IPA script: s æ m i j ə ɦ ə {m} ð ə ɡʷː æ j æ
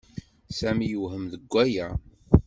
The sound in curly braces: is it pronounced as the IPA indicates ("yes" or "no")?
yes